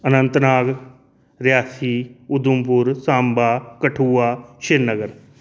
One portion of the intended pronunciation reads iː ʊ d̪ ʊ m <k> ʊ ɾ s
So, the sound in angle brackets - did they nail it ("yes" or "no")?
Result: no